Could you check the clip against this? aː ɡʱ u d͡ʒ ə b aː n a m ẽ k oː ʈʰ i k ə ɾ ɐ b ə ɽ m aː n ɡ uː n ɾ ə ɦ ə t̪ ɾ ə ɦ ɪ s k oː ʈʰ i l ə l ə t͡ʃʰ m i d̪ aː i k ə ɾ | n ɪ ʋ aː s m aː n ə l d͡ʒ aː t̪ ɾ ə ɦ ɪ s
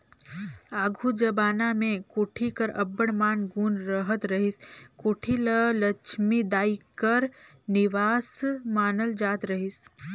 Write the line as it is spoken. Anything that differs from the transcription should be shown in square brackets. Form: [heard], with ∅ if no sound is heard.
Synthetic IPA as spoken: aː ɡʱ u d͡ʒ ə b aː n a m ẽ k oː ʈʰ i k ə ɾ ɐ b ə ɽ m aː n ɡ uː n ɾ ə ɦ ə t̪ ɾ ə ɦ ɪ s k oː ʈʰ i l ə l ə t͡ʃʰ m i d̪ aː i k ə ɾ | n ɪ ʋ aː s m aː n ə l d͡ʒ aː t̪ ɾ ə ɦ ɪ s

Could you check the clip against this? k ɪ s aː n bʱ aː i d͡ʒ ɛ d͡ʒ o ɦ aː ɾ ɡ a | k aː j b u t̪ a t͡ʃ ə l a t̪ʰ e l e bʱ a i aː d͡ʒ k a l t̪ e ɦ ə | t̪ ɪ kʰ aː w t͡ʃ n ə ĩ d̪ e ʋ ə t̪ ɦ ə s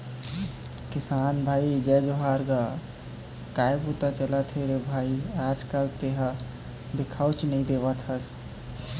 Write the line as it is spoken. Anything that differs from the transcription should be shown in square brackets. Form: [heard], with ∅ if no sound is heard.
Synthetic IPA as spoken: k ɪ s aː n bʱ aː i d͡ʒ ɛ d͡ʒ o ɦ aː ɾ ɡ a | k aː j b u t̪ a t͡ʃ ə l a t̪ʰ e [ɾ] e bʱ a i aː d͡ʒ k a l t̪ e ɦ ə | [d̪] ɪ kʰ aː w t͡ʃ n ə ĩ d̪ e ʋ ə t̪ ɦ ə s

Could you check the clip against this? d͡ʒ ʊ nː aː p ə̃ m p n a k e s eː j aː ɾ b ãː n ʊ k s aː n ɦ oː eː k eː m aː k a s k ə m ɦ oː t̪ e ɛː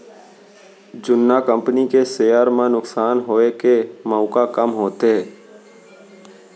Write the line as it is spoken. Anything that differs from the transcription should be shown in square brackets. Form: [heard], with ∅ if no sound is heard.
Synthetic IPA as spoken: d͡ʒ ʊ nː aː [k] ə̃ m p n [i] k e s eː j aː ɾ [m] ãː n ʊ k s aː n ɦ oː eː k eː m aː k a [∅] k ə m ɦ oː t̪ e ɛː

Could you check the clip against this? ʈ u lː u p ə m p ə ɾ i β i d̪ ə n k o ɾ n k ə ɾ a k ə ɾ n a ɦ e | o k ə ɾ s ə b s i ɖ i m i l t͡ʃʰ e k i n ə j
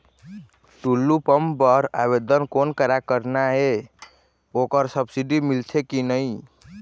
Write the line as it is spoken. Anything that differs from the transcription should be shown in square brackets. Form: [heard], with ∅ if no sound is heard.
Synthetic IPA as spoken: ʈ u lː u p ə m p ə ɾ [a] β [e] d̪ ə n k o [∅] n k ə ɾ a k ə ɾ n a ɦ e | o k ə ɾ s ə b s i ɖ i m i l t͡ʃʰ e k i n ə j

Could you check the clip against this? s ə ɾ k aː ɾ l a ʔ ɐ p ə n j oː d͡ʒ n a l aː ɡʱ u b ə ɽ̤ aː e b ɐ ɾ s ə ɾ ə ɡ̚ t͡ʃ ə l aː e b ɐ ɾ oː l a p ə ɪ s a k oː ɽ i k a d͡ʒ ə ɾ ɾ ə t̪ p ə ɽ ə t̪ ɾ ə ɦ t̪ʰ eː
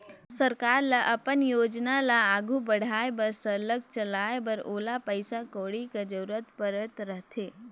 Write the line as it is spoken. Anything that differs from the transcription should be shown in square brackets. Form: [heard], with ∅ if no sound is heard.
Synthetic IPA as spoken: s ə ɾ k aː ɾ l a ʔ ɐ p ə n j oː d͡ʒ n a l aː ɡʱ u b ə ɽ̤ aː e b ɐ ɾ s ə [l] ə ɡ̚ t͡ʃ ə l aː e b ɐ ɾ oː l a p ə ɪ s a k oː ɽ i k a d͡ʒ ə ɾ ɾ ə t̪ p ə [ɾ] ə t̪ ɾ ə ɦ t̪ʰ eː

